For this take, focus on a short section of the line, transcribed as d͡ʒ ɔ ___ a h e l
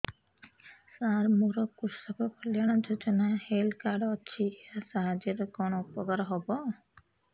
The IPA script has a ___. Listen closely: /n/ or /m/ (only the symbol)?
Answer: n